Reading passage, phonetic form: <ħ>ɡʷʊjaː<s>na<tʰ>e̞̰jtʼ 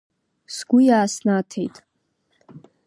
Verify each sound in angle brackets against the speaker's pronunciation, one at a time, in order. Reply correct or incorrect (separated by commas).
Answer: incorrect, correct, correct